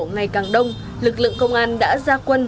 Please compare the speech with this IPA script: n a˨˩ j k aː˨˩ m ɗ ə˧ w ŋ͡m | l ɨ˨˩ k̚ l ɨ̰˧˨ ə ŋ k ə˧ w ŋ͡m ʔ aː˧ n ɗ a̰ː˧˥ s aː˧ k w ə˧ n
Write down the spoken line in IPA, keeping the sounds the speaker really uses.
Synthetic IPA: ŋ a˨˩ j k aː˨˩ ŋ ɗ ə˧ w ŋ͡m | l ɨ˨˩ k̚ l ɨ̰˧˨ ə ŋ k ə˧ w ŋ͡m ʔ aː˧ n ɗ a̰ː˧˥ z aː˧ k w ə˧ n

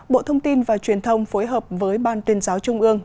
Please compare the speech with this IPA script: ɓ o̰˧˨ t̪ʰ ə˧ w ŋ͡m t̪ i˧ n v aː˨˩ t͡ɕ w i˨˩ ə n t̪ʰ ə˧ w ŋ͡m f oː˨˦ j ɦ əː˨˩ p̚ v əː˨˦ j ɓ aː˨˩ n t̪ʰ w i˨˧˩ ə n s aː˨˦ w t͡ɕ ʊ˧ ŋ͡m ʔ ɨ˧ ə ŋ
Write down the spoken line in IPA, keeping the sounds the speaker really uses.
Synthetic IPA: ɓ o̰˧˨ t̪ʰ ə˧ w ŋ͡m t̪ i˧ n v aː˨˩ t͡ɕ w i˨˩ ə n t̪ʰ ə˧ w ŋ͡m f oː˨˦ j ɦ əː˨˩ p̚ v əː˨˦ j ɓ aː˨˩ n t̪ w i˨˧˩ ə n z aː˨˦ w t͡ɕ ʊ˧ ŋ͡m ʔ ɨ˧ ə ŋ

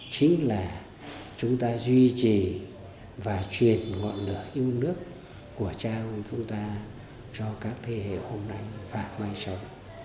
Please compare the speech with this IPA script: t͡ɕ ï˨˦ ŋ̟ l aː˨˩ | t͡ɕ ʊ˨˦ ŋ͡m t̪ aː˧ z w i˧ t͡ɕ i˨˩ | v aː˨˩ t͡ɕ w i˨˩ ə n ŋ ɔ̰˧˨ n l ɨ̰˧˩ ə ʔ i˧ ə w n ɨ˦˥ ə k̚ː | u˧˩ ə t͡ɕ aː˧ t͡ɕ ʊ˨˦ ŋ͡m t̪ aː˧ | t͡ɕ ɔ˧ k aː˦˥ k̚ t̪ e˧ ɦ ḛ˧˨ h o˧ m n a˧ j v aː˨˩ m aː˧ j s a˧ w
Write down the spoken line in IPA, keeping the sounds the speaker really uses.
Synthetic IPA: t͡ɕ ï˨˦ ŋ̟ l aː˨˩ | t͡ɕ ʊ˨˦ ŋ͡m t̪ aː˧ z w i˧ t͡ɕ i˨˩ | v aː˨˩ t͡ɕ w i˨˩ ə n ŋ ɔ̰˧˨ n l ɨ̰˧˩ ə ʔ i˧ ə w n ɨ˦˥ ə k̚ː | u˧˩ ə t͡ɕ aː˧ t͡ɕ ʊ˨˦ ŋ͡m t̪ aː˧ | t͡ɕ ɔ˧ k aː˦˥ k̚ t̪ʰ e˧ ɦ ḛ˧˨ h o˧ m n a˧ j v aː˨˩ m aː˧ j s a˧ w

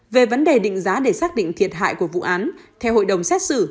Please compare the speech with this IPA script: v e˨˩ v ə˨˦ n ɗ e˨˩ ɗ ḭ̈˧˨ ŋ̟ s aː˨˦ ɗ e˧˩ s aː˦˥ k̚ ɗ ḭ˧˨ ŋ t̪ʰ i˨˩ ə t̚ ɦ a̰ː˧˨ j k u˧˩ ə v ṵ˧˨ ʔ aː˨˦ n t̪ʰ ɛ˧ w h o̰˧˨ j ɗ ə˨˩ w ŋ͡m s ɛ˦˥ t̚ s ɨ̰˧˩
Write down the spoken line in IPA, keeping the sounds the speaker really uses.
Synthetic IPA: v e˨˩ v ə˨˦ n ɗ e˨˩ ɗ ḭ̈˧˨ ŋ̟ z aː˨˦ ɗ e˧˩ s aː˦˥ k̚ ɗ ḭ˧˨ ŋ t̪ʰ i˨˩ ə t̚ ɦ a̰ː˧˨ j k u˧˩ ə v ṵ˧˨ ʔ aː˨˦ n t̪ʰ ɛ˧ w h o̰˧˨ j ɗ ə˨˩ w ŋ͡m s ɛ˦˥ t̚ s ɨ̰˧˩

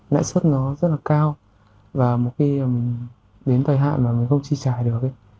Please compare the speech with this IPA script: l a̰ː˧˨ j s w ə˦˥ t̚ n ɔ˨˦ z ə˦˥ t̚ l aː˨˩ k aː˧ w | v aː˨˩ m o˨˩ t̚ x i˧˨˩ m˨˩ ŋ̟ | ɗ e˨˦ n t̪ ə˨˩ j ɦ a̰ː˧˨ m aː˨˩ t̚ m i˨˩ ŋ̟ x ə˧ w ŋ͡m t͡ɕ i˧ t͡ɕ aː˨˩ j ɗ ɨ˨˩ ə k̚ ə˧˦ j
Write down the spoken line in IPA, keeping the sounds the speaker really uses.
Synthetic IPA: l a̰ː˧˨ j s w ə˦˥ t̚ n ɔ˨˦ z ə˦˥ t̚ l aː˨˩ k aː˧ w | v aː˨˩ m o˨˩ t̚ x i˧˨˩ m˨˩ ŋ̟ | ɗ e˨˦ n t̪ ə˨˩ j ɦ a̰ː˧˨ m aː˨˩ m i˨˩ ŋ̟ x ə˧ w ŋ͡m t͡ɕ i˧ t͡ɕ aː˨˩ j ɗ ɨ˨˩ ə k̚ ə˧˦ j

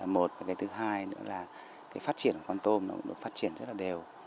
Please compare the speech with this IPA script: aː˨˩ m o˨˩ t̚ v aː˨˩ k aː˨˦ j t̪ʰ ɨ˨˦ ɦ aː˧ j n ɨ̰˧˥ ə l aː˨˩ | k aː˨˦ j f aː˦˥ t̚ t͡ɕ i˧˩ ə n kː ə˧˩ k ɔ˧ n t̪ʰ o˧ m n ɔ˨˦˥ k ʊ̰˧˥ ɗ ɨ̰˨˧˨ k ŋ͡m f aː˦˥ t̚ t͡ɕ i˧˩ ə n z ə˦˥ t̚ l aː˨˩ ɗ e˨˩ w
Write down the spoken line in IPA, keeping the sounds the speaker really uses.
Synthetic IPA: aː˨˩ m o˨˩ t̚ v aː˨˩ k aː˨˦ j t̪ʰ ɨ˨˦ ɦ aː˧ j n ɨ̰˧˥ ə l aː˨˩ | k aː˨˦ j f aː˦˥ t̚ t͡ɕ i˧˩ ə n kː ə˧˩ k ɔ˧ n t̪ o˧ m n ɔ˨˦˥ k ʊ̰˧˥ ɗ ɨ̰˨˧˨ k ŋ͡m f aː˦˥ t̚ t͡ɕ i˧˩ ə n z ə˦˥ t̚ l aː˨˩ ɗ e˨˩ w

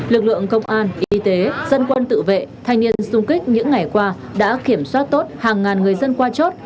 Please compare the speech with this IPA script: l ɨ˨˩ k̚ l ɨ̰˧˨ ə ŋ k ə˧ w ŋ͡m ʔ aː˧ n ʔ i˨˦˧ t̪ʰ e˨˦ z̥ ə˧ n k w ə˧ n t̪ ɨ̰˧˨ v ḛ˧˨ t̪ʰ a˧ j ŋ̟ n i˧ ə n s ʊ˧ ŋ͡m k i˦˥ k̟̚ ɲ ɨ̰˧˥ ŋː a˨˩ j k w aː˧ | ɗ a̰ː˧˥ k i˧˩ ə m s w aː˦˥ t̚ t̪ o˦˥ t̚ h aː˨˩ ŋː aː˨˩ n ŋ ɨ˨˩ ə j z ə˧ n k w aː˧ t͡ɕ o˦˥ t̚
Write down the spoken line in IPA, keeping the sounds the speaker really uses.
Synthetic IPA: l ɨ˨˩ k̚ l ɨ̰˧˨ ə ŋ k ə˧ w ŋ͡m ʔ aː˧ n ʔ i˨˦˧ t̪ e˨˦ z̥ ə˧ n k w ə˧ n t̪ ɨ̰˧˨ v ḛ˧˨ t̪ʰ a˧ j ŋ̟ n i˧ ə n s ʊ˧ ŋ͡m k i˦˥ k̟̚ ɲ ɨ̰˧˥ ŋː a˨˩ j k w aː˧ | ɗ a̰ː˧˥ k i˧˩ ə m s w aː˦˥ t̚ t̪ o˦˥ t̚ h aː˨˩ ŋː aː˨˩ n ŋ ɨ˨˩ ə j z ə˧ n k w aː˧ t͡ɕ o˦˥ t̚

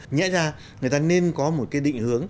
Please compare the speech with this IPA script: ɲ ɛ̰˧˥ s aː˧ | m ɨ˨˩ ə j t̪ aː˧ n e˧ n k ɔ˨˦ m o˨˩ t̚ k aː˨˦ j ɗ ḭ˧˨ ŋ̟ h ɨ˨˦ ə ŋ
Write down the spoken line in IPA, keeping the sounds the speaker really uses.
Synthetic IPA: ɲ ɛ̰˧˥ z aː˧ | ŋ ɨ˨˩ ə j t̪ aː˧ n e˧ n k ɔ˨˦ m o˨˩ t̚ k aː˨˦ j ɗ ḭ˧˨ ŋ̟ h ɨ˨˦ ə ŋ

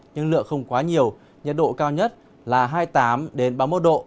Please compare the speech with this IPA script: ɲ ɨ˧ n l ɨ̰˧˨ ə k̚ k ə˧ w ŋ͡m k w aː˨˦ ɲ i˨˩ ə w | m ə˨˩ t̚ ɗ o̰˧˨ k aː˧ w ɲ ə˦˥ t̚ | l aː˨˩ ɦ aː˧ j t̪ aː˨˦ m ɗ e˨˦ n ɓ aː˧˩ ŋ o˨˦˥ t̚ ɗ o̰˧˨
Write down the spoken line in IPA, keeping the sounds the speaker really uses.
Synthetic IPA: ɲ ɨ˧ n l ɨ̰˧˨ ə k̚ x ə˧ w ŋ͡m k w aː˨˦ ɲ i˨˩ ə w | ɲ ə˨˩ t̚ ɗ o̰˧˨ k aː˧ w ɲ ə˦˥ t̚ | l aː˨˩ ɦ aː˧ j t̪ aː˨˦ m ɗ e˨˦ n ɓ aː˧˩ m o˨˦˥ t̚ ɗ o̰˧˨

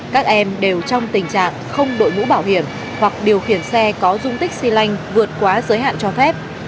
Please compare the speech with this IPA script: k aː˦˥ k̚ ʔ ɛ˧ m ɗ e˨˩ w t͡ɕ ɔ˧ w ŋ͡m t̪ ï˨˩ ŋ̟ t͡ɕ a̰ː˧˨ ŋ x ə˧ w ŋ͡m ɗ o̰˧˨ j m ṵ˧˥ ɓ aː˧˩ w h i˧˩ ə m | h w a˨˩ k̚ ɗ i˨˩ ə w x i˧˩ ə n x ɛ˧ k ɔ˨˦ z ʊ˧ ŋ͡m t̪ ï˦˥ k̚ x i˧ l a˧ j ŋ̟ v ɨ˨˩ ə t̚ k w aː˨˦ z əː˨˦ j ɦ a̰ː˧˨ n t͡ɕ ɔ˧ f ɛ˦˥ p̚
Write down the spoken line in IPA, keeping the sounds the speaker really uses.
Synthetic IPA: k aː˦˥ k̚ ʔ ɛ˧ m ɗ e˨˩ w t͡ɕ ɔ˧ w ŋ͡m t̪ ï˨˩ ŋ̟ t͡ɕ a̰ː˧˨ ŋ x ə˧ w ŋ͡m ɗ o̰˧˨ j m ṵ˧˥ ɓ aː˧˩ w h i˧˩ ə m | h w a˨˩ k̚ ɗ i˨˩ ə w x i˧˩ ə n s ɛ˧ k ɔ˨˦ z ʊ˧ ŋ͡m t̪ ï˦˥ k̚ s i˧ l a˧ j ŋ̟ v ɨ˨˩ ə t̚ k w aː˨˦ z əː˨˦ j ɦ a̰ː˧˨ n t͡ɕ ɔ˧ f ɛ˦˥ p̚

